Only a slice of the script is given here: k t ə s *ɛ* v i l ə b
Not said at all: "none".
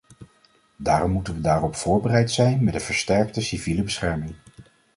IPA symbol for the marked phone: i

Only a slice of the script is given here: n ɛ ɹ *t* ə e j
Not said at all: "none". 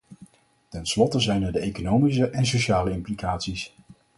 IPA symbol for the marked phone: d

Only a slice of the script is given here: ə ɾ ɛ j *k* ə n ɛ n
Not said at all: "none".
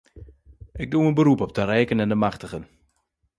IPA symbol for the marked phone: k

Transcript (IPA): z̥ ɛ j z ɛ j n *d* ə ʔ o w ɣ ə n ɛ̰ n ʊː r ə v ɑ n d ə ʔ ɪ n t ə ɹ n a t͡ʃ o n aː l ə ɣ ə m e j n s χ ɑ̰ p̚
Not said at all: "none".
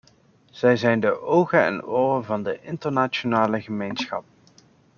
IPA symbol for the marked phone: d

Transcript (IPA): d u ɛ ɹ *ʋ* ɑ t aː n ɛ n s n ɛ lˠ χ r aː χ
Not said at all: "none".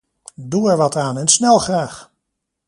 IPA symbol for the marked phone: ʋ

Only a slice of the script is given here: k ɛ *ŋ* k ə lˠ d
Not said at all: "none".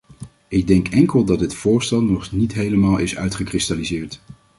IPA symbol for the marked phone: ŋ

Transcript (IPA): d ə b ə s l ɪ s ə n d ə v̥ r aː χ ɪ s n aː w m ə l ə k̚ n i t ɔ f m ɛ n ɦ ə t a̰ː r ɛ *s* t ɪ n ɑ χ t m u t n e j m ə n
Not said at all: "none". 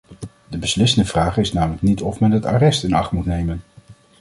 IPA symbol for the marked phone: s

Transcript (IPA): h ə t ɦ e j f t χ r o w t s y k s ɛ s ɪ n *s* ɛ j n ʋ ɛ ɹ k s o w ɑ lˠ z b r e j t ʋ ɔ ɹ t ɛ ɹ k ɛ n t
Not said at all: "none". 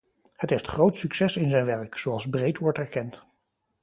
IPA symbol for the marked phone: z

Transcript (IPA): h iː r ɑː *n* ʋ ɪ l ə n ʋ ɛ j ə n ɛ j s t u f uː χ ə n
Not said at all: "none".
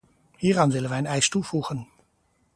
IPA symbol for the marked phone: n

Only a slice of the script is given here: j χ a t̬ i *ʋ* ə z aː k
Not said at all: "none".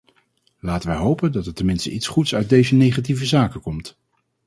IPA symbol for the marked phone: v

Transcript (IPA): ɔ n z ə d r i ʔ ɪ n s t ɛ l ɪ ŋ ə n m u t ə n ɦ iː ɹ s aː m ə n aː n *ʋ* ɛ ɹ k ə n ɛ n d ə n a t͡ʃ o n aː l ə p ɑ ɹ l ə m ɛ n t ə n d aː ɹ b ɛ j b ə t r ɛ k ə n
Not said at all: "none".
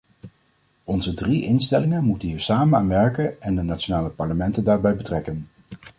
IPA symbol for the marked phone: ʋ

